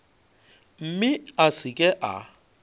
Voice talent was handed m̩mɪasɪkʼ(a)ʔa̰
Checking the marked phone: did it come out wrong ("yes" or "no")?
yes